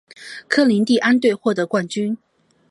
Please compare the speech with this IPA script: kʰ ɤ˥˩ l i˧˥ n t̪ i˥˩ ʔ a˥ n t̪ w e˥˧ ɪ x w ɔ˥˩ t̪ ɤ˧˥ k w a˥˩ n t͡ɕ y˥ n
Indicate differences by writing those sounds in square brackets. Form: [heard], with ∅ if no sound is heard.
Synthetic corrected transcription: kʰ [ɤ˥] l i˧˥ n t̪ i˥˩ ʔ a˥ n t̪ w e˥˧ ɪ x w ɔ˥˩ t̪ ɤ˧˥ k w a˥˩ n t͡ɕ y˥ n